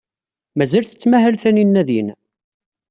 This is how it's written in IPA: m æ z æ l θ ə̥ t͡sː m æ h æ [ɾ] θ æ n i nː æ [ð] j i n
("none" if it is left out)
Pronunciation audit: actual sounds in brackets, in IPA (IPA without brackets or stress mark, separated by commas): l, ð